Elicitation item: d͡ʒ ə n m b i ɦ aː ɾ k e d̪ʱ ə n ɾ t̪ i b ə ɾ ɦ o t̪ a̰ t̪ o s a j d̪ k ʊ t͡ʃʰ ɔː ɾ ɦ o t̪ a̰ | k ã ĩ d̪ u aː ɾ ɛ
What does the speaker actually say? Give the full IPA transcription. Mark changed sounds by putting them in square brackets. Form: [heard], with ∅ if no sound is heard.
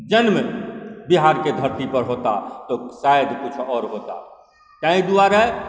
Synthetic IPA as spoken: d͡ʒ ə n m b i ɦ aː ɾ k e d̪ʱ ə [∅] ɾ t̪ i [p] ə ɾ ɦ o t̪ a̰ t̪ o s a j d̪ k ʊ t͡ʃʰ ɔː ɾ ɦ o t̪ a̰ | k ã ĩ d̪ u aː ɾ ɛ